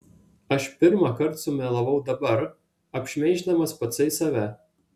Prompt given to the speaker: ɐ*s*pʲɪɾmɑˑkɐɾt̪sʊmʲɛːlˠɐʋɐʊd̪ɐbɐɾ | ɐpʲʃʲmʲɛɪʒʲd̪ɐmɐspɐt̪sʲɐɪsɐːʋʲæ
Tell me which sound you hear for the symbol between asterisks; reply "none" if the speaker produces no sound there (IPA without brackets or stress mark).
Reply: ʃ